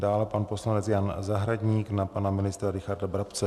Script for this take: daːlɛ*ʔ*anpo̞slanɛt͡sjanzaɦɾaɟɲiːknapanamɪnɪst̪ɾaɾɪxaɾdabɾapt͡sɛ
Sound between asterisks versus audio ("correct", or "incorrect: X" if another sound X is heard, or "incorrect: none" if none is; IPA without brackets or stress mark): incorrect: p